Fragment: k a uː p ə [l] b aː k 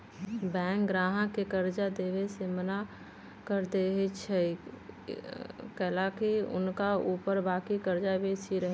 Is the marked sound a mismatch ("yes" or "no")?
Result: yes